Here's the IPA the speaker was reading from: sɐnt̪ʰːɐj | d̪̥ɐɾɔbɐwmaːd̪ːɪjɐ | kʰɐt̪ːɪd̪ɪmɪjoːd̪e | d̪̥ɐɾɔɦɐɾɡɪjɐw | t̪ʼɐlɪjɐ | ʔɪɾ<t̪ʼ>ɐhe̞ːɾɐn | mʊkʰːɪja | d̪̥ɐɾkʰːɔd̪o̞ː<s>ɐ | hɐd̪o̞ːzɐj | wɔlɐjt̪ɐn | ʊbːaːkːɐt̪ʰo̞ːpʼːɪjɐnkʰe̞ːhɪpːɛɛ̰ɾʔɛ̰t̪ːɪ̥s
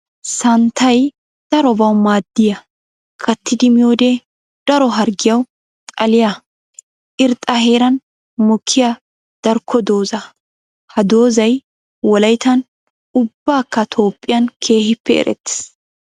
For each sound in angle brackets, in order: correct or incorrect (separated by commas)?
correct, incorrect